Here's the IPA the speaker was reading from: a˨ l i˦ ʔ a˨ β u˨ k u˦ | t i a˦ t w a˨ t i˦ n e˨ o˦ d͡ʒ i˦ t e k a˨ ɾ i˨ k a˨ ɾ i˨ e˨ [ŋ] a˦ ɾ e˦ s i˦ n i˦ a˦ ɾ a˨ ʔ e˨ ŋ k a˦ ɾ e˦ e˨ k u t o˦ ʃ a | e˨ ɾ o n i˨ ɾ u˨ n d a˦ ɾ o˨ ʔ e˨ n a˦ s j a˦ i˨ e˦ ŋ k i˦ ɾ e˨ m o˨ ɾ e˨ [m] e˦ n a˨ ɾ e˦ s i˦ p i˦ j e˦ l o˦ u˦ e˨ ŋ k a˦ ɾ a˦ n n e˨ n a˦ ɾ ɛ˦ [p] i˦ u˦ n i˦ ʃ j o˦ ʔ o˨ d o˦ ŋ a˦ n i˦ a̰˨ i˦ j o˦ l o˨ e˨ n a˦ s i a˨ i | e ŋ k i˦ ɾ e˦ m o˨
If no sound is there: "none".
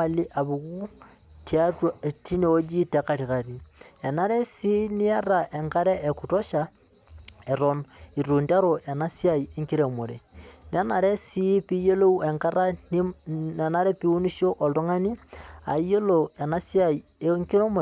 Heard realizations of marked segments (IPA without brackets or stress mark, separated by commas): n, n, p